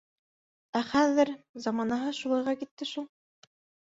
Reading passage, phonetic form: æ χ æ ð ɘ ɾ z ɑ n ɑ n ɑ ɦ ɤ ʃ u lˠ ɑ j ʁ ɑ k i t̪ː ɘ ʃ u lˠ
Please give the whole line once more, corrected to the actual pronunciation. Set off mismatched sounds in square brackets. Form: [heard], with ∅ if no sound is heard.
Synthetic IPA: æ χ æ ð ɘ ɾ z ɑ [m] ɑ n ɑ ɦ ɤ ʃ u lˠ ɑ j ʁ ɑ k i t̪ː ɘ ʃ u lˠ